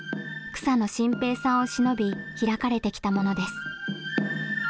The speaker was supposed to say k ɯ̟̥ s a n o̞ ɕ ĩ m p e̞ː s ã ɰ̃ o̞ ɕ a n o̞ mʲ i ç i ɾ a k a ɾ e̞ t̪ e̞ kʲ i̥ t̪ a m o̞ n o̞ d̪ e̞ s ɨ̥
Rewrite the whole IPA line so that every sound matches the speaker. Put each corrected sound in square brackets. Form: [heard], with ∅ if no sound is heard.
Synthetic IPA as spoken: k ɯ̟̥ s a n o̞ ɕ ĩ m p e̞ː s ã ɰ̃ o̞ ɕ [i] n o̞ [bʲ] i ç i ɾ a k a ɾ e̞ t̪ e̞ kʲ i̥ t̪ a m o̞ n o̞ d̪ e̞ s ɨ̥